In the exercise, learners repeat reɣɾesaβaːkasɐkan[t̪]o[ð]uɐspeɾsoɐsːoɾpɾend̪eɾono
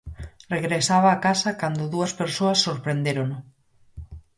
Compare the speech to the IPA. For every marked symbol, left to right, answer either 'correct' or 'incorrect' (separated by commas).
incorrect, correct